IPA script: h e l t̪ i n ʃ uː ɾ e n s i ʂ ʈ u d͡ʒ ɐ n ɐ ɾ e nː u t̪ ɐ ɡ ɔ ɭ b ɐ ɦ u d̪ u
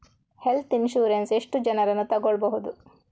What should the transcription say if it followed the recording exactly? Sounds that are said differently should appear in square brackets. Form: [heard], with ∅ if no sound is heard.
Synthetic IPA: h e l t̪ i n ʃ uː ɾ e n s [e] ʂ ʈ u d͡ʒ ɐ n ɐ ɾ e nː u t̪ ɐ ɡ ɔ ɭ b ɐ ɦ u d̪ u